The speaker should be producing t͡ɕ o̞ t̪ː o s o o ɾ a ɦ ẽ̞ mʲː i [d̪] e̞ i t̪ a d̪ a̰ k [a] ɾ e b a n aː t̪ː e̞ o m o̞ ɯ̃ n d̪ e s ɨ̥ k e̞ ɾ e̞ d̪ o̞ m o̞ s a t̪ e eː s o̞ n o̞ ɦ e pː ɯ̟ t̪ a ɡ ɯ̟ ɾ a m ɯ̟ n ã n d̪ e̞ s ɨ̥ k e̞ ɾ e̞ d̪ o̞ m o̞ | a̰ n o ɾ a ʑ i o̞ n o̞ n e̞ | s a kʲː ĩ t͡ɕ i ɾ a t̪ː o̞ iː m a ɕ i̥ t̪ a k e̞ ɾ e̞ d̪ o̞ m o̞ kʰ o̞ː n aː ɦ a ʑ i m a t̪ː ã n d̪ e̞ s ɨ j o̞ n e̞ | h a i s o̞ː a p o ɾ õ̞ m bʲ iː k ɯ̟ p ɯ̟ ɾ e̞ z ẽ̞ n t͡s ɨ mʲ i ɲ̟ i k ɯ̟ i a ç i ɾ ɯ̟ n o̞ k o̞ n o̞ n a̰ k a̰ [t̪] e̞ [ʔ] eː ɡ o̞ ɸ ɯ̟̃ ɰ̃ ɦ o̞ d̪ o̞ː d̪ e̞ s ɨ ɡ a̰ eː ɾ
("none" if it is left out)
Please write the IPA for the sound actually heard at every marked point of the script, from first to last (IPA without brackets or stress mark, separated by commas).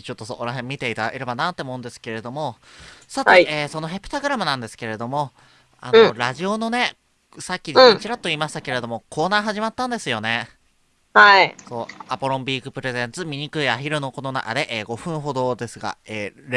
t̪, e, d̪, ʔ